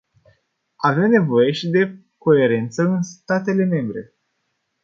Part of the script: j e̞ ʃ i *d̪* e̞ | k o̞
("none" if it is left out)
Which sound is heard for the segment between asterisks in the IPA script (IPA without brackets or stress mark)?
d̪